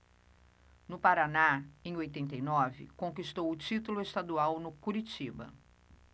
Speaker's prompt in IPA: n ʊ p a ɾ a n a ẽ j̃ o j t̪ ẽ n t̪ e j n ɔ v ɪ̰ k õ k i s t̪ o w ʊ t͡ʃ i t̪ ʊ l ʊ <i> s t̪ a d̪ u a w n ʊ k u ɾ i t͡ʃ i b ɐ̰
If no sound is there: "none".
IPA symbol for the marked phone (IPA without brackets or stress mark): e